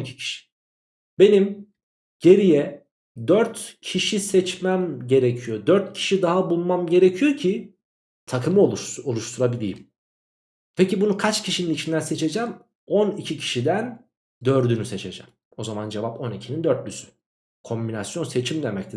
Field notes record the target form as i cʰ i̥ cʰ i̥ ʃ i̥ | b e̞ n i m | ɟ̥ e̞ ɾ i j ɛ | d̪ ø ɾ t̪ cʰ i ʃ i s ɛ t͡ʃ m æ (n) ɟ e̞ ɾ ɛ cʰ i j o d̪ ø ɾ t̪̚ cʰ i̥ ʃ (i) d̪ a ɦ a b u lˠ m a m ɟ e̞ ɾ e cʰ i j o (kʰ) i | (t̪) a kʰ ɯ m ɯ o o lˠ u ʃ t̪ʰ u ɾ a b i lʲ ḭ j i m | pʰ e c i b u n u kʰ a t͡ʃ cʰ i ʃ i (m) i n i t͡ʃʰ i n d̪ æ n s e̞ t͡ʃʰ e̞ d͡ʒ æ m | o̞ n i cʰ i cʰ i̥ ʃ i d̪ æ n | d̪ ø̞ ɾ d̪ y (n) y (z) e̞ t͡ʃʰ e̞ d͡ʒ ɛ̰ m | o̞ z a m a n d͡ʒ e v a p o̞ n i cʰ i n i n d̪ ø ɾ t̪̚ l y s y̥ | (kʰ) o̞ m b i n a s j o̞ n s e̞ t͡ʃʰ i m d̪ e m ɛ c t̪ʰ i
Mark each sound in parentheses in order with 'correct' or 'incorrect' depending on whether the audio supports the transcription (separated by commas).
incorrect, correct, incorrect, incorrect, incorrect, correct, incorrect, correct